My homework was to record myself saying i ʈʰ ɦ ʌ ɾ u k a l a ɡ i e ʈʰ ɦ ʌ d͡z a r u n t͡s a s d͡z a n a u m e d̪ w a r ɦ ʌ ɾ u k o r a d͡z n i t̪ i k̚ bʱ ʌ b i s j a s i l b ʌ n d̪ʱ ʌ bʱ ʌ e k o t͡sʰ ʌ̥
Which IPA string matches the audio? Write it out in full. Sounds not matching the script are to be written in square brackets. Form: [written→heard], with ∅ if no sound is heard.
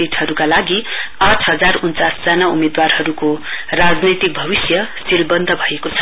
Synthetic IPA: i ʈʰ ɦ ʌ ɾ u k a l a ɡ i [e→a] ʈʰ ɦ ʌ d͡z a r u n t͡s a s d͡z a n a u m e d̪ w a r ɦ ʌ ɾ u k o r a d͡z n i t̪ i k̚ bʱ ʌ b i s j [a→ʌ] s i l b ʌ n d̪ʱ ʌ bʱ ʌ e k o t͡sʰ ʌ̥

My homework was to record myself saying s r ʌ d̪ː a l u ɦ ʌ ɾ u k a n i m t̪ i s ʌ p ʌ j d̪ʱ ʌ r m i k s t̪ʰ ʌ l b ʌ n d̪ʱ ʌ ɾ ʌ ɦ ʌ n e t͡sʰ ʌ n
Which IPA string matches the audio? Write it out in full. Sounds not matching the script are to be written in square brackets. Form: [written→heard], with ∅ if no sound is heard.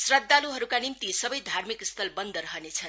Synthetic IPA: s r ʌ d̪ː a l u ɦ ʌ ɾ u k a n i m t̪ i s ʌ [p→b] ʌ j d̪ʱ [ʌ→a] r m i k s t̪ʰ ʌ l b ʌ n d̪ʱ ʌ ɾ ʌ ɦ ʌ n e t͡sʰ ʌ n

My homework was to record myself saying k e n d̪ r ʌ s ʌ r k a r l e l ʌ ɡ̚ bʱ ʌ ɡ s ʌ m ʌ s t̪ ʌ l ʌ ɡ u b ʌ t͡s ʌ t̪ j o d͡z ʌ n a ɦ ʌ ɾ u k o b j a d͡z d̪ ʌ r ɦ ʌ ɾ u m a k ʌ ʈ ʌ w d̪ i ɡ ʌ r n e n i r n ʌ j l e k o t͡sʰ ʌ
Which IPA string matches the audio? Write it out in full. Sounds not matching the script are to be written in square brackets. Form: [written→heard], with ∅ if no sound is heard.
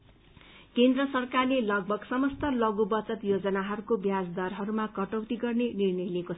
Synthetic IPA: k e n d̪ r ʌ s ʌ r k a r l e l ʌ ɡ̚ bʱ ʌ ɡ s ʌ m ʌ s t̪ ʌ l ʌ ɡ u b ʌ t͡s ʌ t̪ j o d͡z ʌ n a ɦ ʌ ɾ u k o b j a d͡z d̪ ʌ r ɦ ʌ ɾ u m a k ʌ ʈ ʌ w [d̪→t̪] i ɡ ʌ r n e n i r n ʌ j l e k o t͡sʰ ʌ

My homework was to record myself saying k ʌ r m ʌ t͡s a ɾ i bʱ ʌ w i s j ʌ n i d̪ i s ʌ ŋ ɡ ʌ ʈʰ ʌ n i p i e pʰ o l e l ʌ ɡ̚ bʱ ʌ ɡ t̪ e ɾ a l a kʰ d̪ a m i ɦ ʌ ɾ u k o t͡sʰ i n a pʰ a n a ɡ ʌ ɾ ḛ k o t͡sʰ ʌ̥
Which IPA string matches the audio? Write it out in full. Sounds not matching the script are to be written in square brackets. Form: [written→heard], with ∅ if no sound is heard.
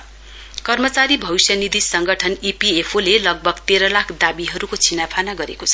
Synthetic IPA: k ʌ r m ʌ t͡s a ɾ i bʱ ʌ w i s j ʌ n i d̪ i s ʌ ŋ ɡ ʌ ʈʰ ʌ n i p i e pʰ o l e l ʌ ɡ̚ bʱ ʌ ɡ t̪ e ɾ [a→ʌ] l a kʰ d̪ a [m→b] i ɦ ʌ ɾ u k o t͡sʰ i n a pʰ a n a ɡ ʌ ɾ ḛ k o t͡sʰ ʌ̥

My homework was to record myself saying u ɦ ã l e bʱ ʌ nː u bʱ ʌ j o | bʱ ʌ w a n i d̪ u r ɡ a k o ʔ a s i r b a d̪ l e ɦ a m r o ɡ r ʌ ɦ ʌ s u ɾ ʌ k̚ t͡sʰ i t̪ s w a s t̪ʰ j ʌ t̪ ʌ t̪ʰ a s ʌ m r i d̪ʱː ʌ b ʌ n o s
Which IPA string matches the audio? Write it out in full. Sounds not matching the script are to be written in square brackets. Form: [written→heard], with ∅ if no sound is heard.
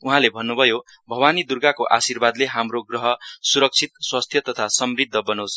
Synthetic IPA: u ɦ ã l e bʱ ʌ nː u bʱ ʌ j o | bʱ ʌ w a n i d̪ u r ɡ a k o ʔ a s i r b a d̪ l e ɦ a m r o ɡ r ʌ ɦ ʌ s u ɾ ʌ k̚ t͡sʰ i t̪ s w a s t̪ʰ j ʌ t̪ ʌ t̪ʰ a s ʌ m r i d̪ʱː ʌ b ʌ n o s

